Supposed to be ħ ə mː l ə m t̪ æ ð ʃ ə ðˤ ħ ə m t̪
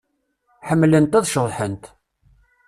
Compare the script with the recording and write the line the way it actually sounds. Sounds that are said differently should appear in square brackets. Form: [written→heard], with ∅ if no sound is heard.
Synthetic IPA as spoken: ħ ə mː l ə [m→n] t̪ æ ð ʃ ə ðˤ ħ ə [m→n] t̪